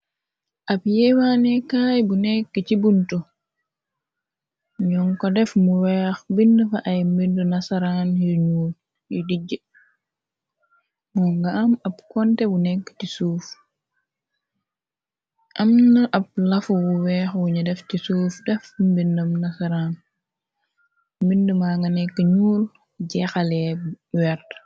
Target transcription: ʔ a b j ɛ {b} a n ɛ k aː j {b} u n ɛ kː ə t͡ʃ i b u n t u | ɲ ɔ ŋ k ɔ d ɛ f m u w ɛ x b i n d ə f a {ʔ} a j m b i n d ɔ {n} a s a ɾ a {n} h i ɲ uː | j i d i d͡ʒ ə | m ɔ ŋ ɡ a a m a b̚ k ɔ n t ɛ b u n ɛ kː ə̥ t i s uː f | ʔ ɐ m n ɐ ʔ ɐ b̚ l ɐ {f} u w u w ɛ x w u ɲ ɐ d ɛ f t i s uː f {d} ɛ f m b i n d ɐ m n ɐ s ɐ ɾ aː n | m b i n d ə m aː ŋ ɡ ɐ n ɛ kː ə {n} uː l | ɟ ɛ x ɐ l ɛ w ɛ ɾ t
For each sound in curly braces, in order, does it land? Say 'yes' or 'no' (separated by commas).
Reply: no, yes, yes, yes, yes, yes, yes, no